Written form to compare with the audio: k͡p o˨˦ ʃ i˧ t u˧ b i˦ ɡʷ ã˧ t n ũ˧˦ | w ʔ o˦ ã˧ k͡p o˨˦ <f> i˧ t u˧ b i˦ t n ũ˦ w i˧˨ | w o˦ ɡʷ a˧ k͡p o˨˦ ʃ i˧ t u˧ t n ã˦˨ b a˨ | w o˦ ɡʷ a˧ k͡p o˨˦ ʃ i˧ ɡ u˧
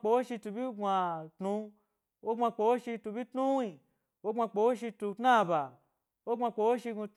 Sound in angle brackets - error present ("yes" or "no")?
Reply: yes